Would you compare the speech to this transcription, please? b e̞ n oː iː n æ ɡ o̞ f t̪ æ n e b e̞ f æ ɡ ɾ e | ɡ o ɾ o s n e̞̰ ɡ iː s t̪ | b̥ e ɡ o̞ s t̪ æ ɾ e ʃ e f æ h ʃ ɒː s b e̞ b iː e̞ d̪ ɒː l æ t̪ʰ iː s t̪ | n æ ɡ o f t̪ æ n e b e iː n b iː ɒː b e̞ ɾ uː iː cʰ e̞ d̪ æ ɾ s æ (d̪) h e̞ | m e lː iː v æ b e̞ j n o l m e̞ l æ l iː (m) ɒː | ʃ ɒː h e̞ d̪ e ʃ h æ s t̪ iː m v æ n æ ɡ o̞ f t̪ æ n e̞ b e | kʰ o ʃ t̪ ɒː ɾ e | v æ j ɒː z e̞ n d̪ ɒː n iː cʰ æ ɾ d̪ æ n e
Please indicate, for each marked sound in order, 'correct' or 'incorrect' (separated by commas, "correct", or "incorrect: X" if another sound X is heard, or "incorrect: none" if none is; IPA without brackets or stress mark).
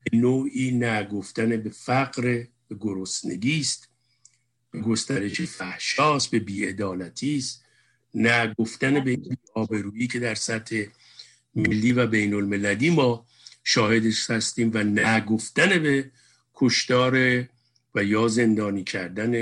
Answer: incorrect: t̪, correct